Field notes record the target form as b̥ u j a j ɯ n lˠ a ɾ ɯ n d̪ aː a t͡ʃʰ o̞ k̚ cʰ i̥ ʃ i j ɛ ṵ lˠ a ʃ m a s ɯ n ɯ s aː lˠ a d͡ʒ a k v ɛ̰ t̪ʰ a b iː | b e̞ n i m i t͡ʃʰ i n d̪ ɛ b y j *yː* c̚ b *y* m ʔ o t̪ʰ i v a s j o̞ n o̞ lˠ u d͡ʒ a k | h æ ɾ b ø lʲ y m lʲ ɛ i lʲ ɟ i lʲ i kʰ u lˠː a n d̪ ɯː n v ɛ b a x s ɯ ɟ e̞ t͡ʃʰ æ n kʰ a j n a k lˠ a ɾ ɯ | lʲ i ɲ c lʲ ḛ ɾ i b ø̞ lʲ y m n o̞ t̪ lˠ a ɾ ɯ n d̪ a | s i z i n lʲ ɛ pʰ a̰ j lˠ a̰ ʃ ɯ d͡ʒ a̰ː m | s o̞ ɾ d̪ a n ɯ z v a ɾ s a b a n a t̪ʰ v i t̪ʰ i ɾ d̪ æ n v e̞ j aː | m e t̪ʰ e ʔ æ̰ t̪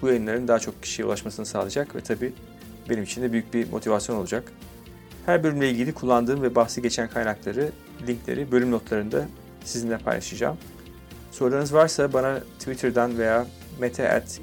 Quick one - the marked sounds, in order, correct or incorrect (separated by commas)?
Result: incorrect, incorrect